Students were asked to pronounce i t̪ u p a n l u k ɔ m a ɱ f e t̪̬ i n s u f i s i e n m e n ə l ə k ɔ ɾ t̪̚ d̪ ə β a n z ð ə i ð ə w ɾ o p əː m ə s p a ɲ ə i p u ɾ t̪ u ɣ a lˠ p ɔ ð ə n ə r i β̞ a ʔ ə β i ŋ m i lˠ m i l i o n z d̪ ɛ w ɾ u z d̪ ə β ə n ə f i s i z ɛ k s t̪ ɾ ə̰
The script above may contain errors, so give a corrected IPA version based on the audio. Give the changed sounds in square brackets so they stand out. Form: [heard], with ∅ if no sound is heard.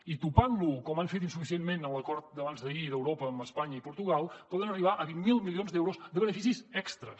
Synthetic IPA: i t̪ u p a n l u k ɔ m a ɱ f e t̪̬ i n s u f i s i e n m e n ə l ə k ɔ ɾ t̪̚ d̪ ə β a n z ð ə i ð ə w ɾ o p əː m ə s p a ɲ ə i p u ɾ t̪ u ɣ a lˠ p ɔ ð ə n ə r i β̞ a ʔ ə β i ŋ m i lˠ m i l i o n z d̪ ɛ w ɾ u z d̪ ə β ə n ə f i s i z ɛ k s t̪ ɾ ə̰